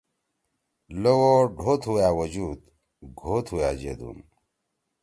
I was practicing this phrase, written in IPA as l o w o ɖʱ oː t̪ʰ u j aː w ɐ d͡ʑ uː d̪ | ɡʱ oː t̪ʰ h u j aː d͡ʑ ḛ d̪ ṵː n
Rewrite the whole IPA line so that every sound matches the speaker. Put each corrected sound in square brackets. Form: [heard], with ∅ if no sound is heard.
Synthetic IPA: l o w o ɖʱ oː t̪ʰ u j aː w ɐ d͡ʑ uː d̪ | ɡʱ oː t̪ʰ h u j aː d͡ʑ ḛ d̪ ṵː n